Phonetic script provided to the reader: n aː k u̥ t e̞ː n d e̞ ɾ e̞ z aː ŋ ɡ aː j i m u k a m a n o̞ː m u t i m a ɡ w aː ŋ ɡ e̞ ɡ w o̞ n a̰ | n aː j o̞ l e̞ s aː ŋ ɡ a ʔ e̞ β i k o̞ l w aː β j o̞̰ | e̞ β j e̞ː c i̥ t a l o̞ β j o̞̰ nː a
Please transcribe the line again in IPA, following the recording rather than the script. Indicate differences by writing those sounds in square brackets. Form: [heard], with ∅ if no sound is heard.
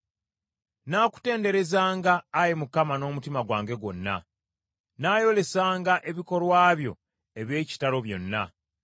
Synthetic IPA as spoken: n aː k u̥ t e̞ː n d e̞ ɾ e̞ z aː ŋ ɡ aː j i m u k a m a n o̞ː m u t i m a ɡ w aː ŋ ɡ e̞ ɡ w o̞ [nː] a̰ | n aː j o̞ l e̞ s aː ŋ ɡ a ʔ e̞ β i k o̞ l w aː β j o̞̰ | e̞ β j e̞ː c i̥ t a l o̞ β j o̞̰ nː a